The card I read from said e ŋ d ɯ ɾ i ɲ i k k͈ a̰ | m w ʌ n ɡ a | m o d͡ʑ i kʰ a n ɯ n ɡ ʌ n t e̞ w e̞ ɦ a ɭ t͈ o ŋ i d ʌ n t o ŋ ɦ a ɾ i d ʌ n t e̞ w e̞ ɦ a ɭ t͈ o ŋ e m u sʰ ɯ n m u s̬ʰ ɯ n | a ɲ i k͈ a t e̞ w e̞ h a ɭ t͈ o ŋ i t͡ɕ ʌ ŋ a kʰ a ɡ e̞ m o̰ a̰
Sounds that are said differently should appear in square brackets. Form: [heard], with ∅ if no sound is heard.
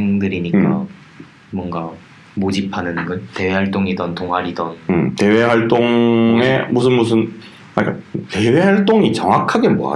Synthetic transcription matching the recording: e ŋ d ɯ ɾ i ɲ i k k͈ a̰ | m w ʌ n ɡ a | m o d͡ʑ i [pʰ] a n ɯ n ɡ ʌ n t e̞ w e̞ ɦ a ɭ t͈ o ŋ i d ʌ n t o ŋ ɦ a ɾ i d ʌ n t e̞ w e̞ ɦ a ɭ t͈ o ŋ e m u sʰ ɯ n m u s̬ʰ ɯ n | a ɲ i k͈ a t e̞ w e̞ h a ɭ t͈ o ŋ i t͡ɕ ʌ ŋ a kʰ a ɡ e̞ m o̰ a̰